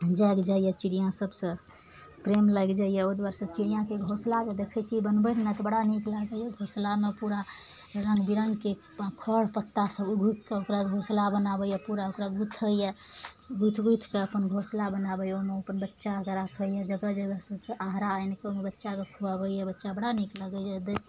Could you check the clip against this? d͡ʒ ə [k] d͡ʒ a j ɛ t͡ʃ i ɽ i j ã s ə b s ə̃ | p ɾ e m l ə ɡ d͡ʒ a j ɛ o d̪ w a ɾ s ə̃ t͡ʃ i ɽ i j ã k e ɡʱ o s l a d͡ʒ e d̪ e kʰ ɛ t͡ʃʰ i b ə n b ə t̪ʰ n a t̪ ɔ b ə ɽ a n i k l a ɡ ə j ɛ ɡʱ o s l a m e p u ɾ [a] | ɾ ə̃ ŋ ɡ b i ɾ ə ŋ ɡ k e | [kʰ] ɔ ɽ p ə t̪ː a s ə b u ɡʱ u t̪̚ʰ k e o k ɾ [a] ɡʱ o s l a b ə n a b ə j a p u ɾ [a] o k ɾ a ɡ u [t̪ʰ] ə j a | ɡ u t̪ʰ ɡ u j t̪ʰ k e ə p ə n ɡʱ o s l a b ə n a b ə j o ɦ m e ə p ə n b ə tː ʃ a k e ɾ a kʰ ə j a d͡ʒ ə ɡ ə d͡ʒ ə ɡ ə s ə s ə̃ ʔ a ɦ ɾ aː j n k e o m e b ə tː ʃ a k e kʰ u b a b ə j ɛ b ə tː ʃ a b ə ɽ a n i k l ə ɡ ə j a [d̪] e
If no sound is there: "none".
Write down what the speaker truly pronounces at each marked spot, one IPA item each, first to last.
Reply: ɡ, a, kʰ, a, a, t̪ʰ, d̪

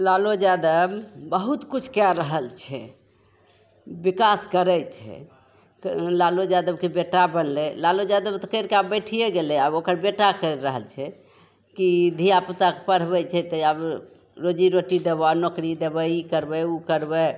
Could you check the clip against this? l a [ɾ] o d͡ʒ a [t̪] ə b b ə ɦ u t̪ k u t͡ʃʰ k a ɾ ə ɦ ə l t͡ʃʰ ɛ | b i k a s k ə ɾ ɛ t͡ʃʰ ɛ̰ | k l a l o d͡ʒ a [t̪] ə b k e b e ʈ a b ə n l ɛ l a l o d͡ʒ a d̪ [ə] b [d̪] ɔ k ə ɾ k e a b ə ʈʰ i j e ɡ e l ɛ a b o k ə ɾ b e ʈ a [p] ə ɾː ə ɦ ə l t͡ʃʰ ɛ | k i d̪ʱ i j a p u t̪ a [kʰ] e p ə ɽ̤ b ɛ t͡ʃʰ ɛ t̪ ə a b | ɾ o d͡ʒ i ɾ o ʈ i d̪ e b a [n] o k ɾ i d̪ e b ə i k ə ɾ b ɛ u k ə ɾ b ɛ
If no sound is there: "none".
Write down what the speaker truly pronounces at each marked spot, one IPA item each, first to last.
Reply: l, d̪, d̪, ə, t̪, k, k, n

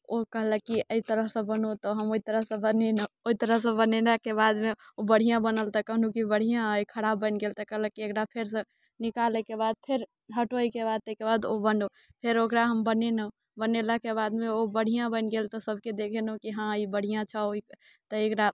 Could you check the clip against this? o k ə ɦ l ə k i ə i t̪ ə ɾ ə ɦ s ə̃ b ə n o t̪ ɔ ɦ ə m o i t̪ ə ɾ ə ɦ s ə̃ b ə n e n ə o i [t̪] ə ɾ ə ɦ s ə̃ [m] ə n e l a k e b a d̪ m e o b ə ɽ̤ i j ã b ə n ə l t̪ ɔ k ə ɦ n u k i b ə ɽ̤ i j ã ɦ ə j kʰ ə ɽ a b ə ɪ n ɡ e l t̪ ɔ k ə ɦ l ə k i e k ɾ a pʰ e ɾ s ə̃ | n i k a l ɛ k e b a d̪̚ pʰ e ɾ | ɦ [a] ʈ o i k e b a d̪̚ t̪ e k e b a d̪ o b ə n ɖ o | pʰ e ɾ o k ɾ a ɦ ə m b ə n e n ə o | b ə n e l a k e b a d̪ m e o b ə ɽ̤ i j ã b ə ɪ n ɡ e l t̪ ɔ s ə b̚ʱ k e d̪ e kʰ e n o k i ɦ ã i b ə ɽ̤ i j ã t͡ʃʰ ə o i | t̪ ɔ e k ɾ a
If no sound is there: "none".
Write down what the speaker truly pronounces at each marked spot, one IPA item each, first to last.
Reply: t̪, b, ə

